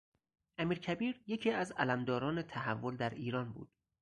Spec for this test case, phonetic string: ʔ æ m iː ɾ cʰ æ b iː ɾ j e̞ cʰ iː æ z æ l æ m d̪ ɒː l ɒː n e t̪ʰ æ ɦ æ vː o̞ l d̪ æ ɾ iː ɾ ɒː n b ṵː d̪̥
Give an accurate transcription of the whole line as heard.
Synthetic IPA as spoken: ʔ æ m iː ɾ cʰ æ b iː ɾ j e̞ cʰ iː æ z æ l æ m d̪ ɒː ɾ ɒː n e t̪ʰ æ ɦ æ vː o̞ l d̪ æ ɾ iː ɾ ɒː n b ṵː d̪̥